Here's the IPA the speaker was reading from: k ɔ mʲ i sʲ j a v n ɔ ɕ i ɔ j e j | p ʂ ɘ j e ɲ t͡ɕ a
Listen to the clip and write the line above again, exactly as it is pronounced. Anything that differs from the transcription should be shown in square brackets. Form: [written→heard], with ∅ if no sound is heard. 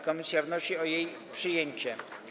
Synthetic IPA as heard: k ɔ mʲ i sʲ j a v n ɔ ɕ i ɔ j e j | p ʂ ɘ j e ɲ t͡ɕ [a→ɛ]